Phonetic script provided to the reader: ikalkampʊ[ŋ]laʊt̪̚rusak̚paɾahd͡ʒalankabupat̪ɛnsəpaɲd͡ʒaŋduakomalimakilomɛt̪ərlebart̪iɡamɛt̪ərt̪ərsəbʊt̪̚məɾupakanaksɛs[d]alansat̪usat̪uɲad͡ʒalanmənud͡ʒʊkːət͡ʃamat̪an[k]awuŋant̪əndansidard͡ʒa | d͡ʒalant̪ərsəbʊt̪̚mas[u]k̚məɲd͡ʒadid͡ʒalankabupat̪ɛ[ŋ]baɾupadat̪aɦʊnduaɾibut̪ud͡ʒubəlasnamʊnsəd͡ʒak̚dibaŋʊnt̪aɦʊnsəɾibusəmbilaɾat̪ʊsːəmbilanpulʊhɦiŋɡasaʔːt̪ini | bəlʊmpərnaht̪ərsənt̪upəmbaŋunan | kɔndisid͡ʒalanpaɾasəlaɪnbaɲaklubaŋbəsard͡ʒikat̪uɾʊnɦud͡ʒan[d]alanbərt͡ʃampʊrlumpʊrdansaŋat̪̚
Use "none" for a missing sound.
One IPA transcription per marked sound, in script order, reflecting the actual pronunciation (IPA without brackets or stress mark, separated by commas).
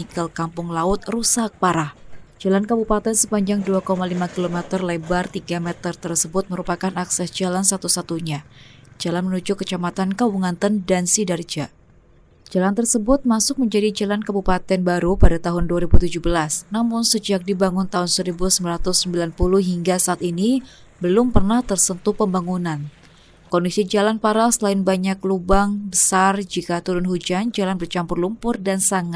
ŋ, d͡ʒ, k, ʊ, n, d͡ʒ